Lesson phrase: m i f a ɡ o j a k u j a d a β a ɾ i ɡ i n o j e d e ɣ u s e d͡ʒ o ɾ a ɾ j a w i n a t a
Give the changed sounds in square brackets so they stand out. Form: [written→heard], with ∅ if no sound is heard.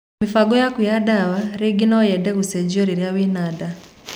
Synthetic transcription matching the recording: m i f a ɡ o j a k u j a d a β a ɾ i ɡ i n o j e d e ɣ u s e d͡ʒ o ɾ [a→i] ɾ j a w i n a [t→d] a